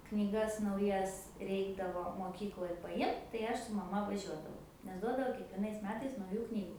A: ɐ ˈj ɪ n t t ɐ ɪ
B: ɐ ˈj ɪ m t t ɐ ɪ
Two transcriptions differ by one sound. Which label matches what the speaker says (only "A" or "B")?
B